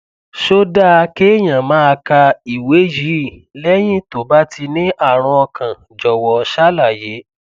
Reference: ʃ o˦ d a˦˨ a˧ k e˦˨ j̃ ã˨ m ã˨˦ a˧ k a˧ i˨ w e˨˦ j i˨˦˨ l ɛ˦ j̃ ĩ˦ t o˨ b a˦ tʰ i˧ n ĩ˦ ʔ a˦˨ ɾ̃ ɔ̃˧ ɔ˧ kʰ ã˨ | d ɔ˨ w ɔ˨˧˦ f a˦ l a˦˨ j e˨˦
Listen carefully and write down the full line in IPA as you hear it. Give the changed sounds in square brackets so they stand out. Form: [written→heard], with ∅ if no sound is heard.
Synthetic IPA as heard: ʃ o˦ d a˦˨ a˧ k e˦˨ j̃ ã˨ m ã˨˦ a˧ k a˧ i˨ w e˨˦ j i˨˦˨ l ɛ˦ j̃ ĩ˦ t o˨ b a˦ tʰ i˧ n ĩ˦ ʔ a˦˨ ɾ̃ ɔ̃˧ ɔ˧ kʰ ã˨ | [d→d͡ʒ] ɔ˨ w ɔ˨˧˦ [f→ʃ] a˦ l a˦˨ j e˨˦